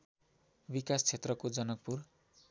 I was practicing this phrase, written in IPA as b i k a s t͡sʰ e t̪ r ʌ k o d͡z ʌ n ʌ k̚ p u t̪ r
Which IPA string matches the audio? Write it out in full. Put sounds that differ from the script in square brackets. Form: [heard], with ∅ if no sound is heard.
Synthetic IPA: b i k a s t͡sʰ e t̪ r ʌ k o d͡z ʌ n ʌ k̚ p u [∅] r